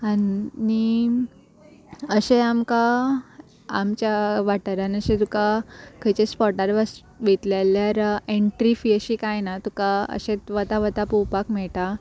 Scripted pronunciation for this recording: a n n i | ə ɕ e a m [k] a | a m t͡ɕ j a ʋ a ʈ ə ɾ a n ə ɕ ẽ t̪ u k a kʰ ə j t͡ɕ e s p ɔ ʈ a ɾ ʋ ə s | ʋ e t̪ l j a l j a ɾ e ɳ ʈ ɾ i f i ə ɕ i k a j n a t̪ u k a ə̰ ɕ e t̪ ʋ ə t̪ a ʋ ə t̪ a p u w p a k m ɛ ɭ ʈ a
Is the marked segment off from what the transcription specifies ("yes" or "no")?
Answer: no